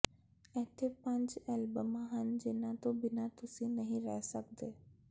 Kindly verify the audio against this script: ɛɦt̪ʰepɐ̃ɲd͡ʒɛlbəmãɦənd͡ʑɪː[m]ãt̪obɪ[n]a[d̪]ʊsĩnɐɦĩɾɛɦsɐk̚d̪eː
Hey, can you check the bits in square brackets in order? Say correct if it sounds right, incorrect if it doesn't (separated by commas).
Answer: incorrect, correct, incorrect